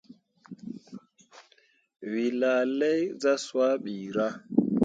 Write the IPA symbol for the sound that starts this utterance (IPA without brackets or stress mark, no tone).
w